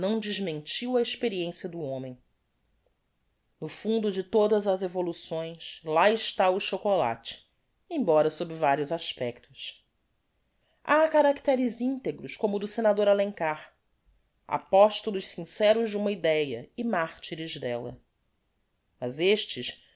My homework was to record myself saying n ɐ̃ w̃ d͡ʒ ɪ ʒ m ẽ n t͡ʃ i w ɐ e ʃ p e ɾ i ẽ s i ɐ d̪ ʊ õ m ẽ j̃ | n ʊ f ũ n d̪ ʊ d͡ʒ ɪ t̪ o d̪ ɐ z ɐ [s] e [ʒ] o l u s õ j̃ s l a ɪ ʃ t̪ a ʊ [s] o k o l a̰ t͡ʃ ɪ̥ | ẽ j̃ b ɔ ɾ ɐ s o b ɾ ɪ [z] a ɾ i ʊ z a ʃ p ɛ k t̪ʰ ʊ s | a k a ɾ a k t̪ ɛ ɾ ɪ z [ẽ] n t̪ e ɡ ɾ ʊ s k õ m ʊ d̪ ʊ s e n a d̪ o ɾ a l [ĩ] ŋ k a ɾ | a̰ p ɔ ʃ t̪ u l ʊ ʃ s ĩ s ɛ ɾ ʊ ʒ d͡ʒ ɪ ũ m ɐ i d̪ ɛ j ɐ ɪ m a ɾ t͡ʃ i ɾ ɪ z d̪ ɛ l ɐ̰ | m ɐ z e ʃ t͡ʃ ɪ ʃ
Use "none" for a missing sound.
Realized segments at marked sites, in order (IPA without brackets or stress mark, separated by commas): z, v, ʃ, v, ĩ, ẽ